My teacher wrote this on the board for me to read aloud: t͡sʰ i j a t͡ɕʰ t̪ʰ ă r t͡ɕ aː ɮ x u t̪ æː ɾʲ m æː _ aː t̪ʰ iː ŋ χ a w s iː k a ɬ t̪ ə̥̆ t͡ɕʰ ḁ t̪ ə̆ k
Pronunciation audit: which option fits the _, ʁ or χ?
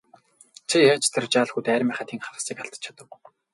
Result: χ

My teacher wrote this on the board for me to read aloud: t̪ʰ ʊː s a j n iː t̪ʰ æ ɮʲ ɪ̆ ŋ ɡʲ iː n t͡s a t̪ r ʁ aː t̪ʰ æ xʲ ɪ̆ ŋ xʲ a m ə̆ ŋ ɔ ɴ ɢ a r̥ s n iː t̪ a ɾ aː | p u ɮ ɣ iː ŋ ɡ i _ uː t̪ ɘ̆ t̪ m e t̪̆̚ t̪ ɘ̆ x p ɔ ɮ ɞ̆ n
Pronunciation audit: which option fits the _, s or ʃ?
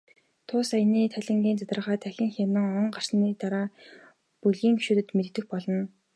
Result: ʃ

